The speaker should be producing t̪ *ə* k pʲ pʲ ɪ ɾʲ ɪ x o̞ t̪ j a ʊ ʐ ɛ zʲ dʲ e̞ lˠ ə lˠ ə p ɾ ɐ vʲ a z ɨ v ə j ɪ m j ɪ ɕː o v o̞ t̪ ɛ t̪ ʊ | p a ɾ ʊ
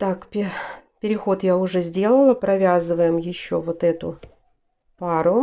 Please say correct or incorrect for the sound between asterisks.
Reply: incorrect: a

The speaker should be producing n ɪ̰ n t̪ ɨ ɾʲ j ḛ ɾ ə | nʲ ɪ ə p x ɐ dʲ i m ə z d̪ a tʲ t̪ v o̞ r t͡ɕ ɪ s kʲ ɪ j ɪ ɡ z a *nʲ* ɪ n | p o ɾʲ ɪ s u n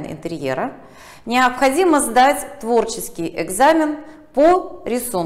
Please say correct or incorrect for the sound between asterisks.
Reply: incorrect: mʲ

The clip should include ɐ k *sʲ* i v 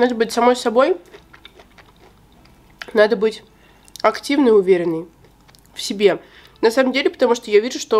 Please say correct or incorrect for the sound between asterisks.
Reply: incorrect: tʲ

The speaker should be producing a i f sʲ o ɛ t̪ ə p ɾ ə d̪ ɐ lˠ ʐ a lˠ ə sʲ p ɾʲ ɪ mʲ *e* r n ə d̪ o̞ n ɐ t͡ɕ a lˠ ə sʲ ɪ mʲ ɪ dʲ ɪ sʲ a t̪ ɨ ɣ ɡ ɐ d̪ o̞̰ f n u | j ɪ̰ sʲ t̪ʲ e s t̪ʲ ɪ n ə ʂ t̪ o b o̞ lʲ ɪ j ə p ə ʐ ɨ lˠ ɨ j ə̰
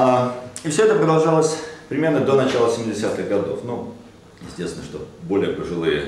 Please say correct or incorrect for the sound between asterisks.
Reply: correct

